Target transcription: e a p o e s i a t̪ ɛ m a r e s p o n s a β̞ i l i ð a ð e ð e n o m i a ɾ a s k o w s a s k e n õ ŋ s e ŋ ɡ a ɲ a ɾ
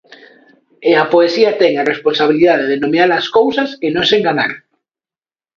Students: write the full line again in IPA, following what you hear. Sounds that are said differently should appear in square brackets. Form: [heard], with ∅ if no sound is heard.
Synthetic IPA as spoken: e a p o e s i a t̪ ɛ [ŋ] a r e s p o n s a β̞ i l i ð a ð e ð e n o m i a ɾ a s k o w s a s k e n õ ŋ s e ŋ ɡ a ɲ a ɾ